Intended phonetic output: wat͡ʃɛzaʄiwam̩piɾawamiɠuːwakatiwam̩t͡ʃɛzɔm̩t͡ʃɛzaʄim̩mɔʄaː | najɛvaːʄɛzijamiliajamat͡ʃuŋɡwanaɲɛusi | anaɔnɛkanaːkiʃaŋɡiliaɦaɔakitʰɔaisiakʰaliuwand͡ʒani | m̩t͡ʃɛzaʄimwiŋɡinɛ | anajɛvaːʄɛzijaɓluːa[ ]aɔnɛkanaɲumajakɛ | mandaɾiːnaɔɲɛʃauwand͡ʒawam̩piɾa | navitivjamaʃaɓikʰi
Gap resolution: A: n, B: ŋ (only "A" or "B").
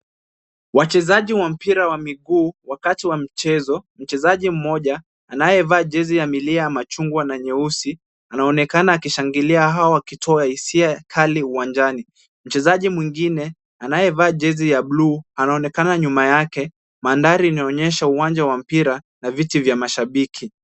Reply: A